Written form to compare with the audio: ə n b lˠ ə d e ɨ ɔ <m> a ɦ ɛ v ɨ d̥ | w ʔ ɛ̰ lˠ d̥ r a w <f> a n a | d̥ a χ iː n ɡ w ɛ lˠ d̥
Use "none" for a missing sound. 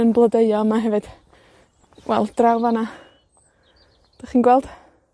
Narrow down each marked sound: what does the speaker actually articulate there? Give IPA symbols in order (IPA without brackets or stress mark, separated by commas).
m, v